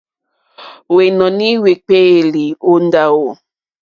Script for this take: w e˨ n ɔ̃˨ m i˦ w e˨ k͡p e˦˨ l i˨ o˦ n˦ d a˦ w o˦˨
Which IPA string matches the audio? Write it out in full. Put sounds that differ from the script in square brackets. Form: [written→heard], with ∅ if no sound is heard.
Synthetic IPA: w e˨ n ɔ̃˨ [m→n] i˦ w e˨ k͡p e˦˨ l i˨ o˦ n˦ d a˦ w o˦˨